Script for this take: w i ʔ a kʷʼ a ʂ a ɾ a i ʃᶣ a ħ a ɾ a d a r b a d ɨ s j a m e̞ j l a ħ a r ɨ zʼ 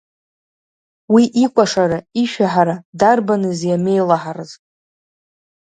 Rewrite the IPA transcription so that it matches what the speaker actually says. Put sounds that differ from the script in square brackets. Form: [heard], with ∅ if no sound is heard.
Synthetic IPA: w i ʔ [i] kʷʼ a ʂ a ɾ a i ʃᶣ a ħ a ɾ a d a r b a [n] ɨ [z] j a m e̞ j l a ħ a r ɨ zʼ